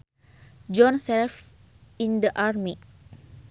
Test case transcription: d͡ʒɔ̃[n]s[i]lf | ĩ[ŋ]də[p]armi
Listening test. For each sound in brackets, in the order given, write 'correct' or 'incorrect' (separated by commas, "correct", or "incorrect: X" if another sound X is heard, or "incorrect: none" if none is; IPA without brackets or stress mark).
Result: correct, incorrect: ɛ, incorrect: n, incorrect: ʔ